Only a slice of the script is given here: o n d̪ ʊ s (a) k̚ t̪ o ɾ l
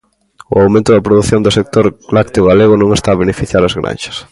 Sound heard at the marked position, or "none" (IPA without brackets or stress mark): e